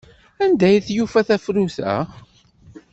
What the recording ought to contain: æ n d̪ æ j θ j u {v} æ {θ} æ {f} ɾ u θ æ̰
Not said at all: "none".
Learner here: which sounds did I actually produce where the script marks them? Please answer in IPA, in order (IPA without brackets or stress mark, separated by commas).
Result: f, θ, f